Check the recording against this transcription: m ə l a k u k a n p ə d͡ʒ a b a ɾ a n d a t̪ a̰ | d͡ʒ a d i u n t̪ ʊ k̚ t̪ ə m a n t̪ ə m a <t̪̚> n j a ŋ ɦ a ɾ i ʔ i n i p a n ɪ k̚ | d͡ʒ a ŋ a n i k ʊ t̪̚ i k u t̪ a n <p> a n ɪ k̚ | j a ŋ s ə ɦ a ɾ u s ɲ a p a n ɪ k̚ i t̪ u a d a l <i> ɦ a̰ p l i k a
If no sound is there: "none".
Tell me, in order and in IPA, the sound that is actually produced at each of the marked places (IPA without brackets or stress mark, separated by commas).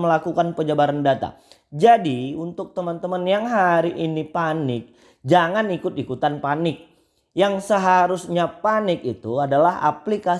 none, p, a